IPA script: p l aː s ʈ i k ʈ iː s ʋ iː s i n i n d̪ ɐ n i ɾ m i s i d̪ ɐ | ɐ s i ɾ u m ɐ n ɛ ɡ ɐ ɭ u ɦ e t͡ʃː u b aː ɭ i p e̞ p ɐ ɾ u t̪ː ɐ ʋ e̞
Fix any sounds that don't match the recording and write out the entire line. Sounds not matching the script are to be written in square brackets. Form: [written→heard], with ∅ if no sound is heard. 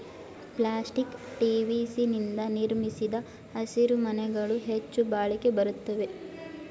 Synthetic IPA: p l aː s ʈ i k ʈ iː [s→∅] ʋ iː s i n i n d̪ ɐ n i ɾ m i s i d̪ ɐ | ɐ s i ɾ u m ɐ n ɛ ɡ ɐ ɭ u ɦ e t͡ʃː u b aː ɭ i [p→k] e̞ [p→b] ɐ ɾ u t̪ː ɐ ʋ e̞

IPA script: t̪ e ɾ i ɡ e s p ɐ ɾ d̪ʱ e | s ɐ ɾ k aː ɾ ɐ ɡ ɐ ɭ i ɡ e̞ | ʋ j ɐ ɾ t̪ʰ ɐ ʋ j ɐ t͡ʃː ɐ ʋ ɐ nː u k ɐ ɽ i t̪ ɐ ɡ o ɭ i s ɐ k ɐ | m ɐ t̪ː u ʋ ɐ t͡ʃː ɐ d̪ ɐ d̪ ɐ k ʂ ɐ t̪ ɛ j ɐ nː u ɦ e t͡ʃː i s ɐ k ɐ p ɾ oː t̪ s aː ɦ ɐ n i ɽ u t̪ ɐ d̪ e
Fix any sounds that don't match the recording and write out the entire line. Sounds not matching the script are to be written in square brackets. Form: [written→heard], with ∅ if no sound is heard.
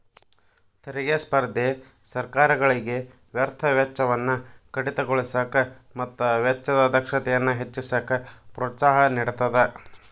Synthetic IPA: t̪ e ɾ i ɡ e s p ɐ ɾ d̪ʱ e | s ɐ ɾ k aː ɾ ɐ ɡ ɐ ɭ i ɡ e̞ | ʋ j ɐ ɾ t̪ʰ ɐ ʋ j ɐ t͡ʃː ɐ ʋ ɐ nː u k ɐ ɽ i t̪ ɐ ɡ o ɭ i s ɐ k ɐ | m ɐ t̪ː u ʋ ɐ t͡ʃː ɐ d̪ ɐ d̪ ɐ k ʂ ɐ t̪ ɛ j ɐ nː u ɦ e t͡ʃː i s ɐ k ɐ p ɾ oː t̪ s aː ɦ ɐ n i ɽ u t̪ ɐ d̪ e

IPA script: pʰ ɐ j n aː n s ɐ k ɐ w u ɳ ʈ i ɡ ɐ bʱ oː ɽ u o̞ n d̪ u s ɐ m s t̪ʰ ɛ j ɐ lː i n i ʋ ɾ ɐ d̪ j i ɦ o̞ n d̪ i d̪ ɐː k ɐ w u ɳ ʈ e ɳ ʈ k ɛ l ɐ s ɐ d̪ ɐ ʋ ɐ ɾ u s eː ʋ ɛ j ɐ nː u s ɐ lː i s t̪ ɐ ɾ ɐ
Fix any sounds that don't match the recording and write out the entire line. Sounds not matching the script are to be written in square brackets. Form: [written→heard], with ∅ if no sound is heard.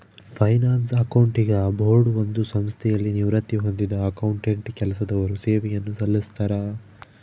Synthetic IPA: pʰ ɐ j n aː n s ɐ k ɐ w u ɳ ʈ i ɡ ɐ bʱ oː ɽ u o̞ n d̪ u s ɐ m s t̪ʰ ɛ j ɐ lː i n i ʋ ɾ ɐ [d̪→t̪] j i ɦ o̞ n d̪ i d̪ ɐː k ɐ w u ɳ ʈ e ɳ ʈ k ɛ l ɐ s ɐ d̪ ɐ ʋ ɐ ɾ u s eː ʋ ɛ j ɐ nː u s ɐ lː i s t̪ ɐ ɾ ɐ

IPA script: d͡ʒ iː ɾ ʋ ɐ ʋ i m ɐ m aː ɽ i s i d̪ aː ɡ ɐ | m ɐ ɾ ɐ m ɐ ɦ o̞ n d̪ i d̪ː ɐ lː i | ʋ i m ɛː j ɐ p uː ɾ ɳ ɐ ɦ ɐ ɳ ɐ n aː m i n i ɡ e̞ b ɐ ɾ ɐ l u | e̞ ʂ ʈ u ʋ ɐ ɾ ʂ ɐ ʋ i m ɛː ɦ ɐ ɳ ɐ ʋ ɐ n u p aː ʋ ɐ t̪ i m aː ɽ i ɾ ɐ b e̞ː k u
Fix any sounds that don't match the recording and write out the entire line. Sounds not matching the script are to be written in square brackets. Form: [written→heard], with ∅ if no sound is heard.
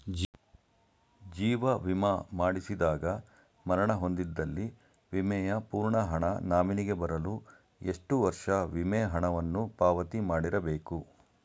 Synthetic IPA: d͡ʒ iː [ɾ→∅] ʋ ɐ ʋ i m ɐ m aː ɽ i s i d̪ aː ɡ ɐ | m ɐ ɾ ɐ [m→ɳ] ɐ ɦ o̞ n d̪ i d̪ː ɐ lː i | ʋ i m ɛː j ɐ p uː ɾ ɳ ɐ ɦ ɐ ɳ ɐ n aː m i n i ɡ e̞ b ɐ ɾ ɐ l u | e̞ ʂ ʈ u ʋ ɐ ɾ ʂ ɐ ʋ i m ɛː ɦ ɐ ɳ ɐ ʋ ɐ [n→nː] u p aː ʋ ɐ t̪ i m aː ɽ i ɾ ɐ b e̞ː k u

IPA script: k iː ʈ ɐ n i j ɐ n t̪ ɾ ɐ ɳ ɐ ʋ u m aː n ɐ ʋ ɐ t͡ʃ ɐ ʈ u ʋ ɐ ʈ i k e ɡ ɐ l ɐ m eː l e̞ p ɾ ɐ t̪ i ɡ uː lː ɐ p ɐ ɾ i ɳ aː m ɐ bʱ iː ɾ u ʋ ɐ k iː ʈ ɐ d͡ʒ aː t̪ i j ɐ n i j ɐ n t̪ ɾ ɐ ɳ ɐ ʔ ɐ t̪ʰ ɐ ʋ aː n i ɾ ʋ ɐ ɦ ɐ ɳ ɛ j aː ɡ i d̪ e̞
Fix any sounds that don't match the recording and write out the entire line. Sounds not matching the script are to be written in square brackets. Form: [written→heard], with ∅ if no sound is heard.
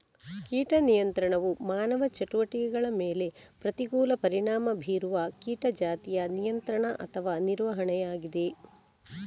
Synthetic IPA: k iː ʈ ɐ n i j ɐ n t̪ ɾ ɐ ɳ ɐ ʋ u m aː n ɐ ʋ ɐ t͡ʃ ɐ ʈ u ʋ ɐ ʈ i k [e→ɛ] ɡ ɐ [l→ɭ] ɐ m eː l e̞ p ɾ ɐ t̪ i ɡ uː [lː→l] ɐ p ɐ ɾ i ɳ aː m ɐ bʱ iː ɾ u ʋ ɐ k iː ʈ ɐ d͡ʒ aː t̪ i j ɐ n i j ɐ n t̪ ɾ ɐ ɳ ɐ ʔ ɐ t̪ʰ ɐ ʋ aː n i ɾ ʋ ɐ ɦ ɐ ɳ ɛ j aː ɡ i d̪ e̞

